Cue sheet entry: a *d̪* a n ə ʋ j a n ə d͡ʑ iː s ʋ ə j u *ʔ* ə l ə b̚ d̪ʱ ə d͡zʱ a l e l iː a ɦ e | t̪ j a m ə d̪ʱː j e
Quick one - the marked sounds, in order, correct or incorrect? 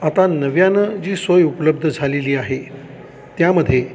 incorrect: t̪, incorrect: p

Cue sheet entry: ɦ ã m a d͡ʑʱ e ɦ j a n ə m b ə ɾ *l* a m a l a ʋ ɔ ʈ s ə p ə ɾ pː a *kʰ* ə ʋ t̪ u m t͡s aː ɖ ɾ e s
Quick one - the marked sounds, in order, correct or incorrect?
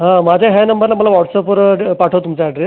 correct, incorrect: ʈʰ

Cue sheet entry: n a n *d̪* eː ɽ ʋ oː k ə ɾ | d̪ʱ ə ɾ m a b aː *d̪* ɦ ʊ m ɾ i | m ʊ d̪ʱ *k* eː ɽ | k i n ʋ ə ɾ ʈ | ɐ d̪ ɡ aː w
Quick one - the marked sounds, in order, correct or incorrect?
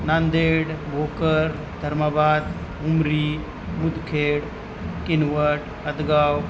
correct, correct, incorrect: kʰ

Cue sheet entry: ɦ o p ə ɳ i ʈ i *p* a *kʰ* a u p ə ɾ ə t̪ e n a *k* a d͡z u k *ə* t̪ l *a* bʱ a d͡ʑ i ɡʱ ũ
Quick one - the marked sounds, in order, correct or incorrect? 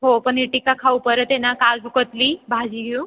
incorrect: k, correct, correct, correct, incorrect: i

